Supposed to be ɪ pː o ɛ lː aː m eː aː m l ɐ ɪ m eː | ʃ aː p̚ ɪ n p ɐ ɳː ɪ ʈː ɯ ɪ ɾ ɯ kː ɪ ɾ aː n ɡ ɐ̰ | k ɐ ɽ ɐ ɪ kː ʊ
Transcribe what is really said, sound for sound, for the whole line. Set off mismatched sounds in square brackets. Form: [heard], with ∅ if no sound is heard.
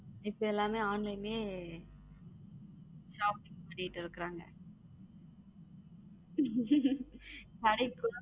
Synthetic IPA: ɪ pː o ɛ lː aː m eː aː [n] l ɐ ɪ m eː | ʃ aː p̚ ɪ [ŋ] p ɐ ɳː ɪ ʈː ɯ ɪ ɾ ɯ kː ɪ ɾ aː [ŋ] ɡ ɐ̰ | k ɐ ɽ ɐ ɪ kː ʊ